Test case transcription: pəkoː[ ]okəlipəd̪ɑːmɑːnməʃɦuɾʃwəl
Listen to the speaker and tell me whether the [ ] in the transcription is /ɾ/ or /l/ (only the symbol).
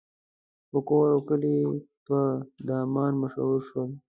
ɾ